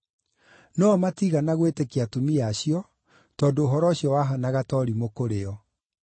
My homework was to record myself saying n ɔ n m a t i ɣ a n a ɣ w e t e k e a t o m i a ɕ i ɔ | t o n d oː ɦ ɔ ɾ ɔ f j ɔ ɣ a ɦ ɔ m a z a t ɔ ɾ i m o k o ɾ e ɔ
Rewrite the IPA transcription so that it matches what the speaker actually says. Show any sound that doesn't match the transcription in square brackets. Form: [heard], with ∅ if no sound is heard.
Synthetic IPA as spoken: n ɔ [∅] m a t i ɣ a n a ɣ w e t e k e a t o m i a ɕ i ɔ | t [ɔ] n d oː ɦ ɔ ɾ ɔ [ɕ] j ɔ [w] a ɦ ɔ [n] a [ɣ] a t ɔ ɾ i m o k o ɾ e ɔ